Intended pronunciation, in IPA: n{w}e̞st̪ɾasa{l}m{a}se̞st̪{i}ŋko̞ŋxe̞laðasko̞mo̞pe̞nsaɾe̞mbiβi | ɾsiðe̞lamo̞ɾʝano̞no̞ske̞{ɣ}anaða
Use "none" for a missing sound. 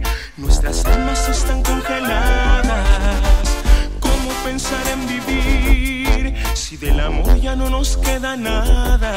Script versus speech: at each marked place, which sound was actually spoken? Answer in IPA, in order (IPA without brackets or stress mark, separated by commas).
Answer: w, l, a, a, ð